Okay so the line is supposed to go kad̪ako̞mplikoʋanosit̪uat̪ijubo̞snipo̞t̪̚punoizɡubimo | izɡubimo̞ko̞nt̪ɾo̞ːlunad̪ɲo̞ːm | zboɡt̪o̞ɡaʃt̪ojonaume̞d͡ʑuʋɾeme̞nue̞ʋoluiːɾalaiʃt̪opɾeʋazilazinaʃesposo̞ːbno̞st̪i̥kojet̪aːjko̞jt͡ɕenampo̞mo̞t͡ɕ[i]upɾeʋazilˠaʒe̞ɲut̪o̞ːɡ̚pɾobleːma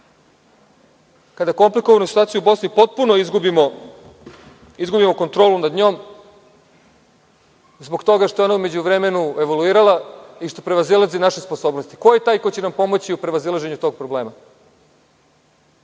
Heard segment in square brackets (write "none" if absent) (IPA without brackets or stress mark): i